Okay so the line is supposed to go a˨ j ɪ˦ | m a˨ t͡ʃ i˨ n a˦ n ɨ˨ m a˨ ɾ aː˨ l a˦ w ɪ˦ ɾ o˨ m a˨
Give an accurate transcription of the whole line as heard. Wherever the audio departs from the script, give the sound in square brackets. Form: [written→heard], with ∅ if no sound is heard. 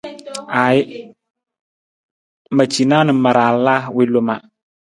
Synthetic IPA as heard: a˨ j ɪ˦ | m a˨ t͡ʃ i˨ n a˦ n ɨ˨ m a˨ ɾ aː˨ l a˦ w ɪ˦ [ɾ→l] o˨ m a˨